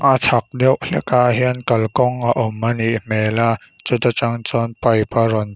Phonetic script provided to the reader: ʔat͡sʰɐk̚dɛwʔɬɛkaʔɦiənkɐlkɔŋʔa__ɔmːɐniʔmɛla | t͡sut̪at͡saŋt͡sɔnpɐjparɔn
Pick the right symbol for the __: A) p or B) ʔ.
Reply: B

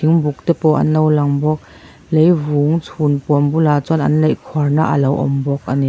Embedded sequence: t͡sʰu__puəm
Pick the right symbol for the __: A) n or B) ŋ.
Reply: A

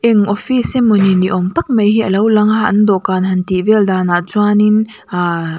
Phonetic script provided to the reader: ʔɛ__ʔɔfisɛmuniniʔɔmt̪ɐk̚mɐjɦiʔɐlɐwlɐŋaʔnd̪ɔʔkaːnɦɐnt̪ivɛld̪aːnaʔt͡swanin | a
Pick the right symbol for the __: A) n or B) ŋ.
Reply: B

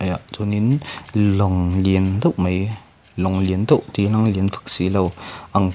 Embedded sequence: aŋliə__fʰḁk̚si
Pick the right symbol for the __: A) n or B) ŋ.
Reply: A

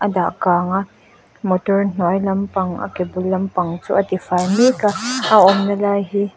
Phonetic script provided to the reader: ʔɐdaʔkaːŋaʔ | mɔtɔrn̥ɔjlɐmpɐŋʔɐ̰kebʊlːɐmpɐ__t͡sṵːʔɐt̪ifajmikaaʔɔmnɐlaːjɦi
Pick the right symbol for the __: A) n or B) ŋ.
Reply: B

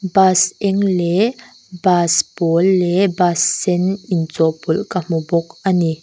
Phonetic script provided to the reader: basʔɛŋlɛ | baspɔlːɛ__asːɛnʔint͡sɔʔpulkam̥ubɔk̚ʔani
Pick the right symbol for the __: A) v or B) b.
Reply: B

